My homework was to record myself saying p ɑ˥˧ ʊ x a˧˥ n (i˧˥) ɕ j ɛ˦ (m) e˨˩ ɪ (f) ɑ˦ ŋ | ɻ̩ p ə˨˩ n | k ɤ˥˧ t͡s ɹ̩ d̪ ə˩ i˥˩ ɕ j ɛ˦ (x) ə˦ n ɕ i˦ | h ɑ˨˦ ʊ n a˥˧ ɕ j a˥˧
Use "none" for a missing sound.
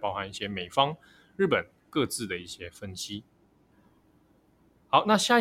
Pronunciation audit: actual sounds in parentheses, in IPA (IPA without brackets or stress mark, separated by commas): i˥˩, m, f, f